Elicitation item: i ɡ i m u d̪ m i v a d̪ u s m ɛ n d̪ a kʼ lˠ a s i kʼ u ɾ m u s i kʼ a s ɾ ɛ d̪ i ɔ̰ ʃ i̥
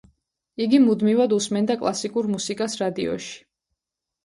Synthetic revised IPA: i ɡ i m u d̪ m i v a d̪ u s m ɛ n d̪ a kʼ lˠ a s i kʼ u ɾ m u s i kʼ a s ɾ a d̪ i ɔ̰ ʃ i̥